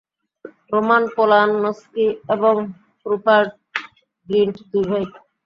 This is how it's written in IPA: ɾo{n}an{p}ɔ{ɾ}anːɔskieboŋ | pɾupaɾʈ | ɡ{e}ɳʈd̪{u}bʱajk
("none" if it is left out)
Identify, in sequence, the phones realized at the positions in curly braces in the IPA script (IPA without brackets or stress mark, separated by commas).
m, p, l, i, u